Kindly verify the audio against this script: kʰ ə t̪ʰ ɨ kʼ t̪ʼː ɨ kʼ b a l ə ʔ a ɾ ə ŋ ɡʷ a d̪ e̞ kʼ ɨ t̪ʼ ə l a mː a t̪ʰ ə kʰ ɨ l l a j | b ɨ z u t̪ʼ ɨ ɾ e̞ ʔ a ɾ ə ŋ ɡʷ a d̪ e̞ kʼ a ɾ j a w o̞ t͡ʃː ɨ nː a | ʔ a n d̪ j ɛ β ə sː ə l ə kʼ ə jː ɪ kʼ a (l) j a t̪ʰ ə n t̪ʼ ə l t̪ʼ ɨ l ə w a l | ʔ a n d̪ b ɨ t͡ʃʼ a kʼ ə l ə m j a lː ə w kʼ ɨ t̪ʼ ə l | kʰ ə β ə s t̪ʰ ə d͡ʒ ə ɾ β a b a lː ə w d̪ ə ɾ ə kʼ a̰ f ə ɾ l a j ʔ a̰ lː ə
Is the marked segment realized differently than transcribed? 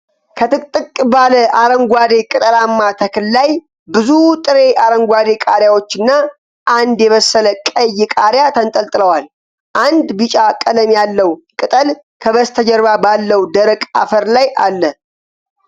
yes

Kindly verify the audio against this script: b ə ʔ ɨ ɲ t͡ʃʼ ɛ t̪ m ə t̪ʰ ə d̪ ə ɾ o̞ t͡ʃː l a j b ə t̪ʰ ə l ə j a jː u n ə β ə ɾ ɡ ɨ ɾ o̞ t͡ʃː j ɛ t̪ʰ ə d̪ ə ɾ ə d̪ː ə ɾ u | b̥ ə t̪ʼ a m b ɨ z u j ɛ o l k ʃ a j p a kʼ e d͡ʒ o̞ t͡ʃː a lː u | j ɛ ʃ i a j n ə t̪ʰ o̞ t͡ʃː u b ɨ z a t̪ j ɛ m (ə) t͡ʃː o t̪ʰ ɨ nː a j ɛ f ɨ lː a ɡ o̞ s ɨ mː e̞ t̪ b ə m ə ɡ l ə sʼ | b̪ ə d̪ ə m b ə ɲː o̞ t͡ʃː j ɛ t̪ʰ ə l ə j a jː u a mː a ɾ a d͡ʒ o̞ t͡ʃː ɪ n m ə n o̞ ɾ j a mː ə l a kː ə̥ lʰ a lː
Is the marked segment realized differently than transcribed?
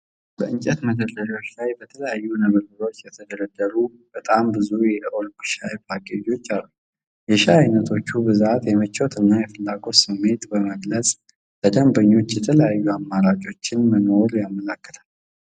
no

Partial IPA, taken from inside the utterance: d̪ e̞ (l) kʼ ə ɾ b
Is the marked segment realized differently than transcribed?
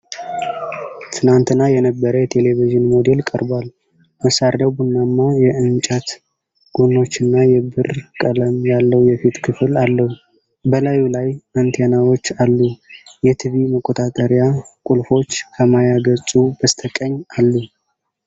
no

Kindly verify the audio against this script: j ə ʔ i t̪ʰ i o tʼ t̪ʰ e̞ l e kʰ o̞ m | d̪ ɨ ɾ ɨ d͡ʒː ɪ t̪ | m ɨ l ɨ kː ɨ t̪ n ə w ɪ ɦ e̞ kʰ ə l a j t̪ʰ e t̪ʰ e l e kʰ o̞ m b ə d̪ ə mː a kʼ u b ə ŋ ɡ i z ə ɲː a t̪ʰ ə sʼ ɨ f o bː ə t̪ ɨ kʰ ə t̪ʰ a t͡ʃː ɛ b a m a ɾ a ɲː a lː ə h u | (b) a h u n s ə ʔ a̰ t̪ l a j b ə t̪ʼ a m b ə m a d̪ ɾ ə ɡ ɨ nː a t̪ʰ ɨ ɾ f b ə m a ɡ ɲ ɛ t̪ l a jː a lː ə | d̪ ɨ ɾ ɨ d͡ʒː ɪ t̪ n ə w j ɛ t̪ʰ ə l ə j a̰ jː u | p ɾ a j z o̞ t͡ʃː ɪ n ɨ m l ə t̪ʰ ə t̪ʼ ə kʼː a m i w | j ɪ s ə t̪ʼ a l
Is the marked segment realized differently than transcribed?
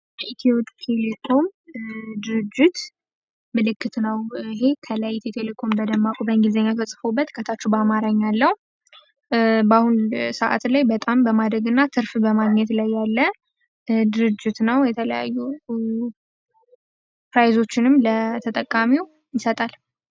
no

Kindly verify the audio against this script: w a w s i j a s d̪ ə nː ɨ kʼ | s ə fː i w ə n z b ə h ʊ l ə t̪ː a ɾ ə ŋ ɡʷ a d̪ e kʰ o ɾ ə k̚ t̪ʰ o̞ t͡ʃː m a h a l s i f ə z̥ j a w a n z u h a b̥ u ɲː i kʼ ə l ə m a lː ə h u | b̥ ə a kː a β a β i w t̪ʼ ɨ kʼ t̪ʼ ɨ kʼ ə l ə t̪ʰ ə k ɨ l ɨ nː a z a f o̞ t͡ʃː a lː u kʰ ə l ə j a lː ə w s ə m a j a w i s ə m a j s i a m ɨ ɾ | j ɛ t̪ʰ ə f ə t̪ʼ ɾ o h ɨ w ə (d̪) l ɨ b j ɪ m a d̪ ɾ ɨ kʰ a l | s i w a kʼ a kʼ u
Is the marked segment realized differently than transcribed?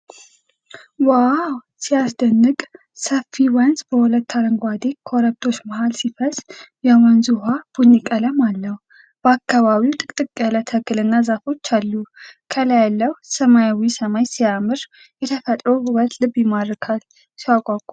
yes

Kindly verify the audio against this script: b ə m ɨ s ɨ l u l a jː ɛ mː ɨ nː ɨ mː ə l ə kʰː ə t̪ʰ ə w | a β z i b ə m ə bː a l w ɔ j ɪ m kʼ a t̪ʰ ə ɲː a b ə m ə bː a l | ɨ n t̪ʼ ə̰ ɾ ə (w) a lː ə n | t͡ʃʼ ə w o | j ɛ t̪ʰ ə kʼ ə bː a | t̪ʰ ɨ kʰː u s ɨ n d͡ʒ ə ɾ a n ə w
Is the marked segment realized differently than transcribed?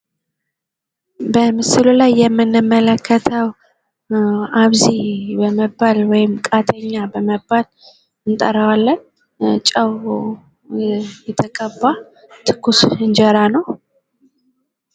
no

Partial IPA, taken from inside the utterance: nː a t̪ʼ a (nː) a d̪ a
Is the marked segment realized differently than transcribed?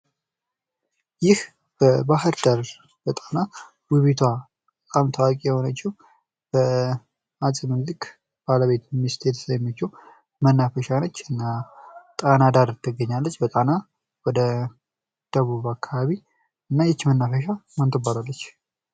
yes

